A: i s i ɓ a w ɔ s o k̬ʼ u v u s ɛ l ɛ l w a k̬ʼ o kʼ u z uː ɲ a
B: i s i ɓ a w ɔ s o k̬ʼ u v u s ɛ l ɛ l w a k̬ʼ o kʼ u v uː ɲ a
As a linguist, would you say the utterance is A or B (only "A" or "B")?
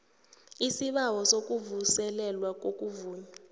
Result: B